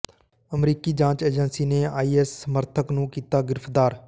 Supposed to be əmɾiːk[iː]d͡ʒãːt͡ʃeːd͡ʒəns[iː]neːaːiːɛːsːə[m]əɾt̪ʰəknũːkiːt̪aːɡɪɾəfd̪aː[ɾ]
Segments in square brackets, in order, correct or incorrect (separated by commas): correct, correct, correct, correct